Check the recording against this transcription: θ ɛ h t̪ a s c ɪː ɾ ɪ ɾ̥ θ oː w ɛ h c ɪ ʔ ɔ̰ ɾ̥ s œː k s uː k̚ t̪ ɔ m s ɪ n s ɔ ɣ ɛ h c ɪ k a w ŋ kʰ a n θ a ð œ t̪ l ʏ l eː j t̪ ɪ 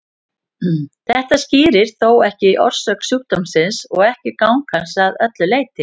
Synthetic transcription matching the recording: θ ɛ h t̪ a s c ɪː ɾ ɪ ɾ̥ θ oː w ɛ h c ɪ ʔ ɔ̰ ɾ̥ s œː k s uː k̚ t̪ ɔ m s ɪ n s ɔ ɣ ɛ h c ɪ k a w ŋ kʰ a n s a ð œ t̪ l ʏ l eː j t̪ ɪ